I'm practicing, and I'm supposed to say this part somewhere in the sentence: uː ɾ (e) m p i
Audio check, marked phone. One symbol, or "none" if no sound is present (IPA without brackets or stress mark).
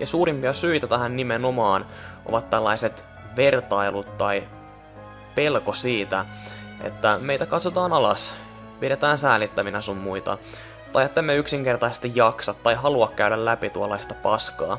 i